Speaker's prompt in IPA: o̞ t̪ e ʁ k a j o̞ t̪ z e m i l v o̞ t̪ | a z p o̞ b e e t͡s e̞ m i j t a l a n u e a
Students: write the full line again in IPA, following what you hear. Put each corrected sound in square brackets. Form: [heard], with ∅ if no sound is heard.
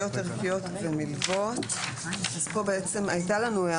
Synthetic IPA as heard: o̞ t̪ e ʁ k [i] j o̞ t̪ [v] e m i l v o̞ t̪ | a z p o̞ b e e t͡s e̞ m [a] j t a l a n u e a